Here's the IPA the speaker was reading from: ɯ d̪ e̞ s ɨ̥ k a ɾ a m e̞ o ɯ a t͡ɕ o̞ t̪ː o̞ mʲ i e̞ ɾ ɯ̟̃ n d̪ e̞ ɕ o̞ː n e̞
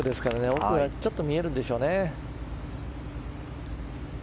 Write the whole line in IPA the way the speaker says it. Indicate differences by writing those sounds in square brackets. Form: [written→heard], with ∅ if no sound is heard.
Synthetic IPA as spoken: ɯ d̪ e̞ s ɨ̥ k a ɾ a [m→n] e̞ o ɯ a t͡ɕ o̞ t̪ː o̞ mʲ i e̞ ɾ [ɯ̟̃→ɯ̟] n d̪ e̞ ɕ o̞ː n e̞